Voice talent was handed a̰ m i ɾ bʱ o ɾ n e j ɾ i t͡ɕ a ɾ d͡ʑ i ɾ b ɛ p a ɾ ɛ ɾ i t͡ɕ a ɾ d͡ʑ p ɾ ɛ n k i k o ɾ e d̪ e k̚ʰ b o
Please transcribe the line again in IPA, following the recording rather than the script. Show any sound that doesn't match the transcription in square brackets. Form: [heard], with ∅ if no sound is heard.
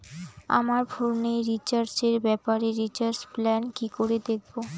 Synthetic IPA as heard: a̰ m [a] ɾ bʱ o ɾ n e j ɾ i t͡ɕ a ɾ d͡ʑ [e] ɾ b ɛ p a ɾ [e] ɾ i t͡ɕ a ɾ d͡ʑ p [l] ɛ n k i k o ɾ e d̪ e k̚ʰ b o